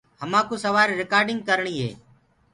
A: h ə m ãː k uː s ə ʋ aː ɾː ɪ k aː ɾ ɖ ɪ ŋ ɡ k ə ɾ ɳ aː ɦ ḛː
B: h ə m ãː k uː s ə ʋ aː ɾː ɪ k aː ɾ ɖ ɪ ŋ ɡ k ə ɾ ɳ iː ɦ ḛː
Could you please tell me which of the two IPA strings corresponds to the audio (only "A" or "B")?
B